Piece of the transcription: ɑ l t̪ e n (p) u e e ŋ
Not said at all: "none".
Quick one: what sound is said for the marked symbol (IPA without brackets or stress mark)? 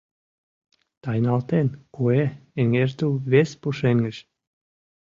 k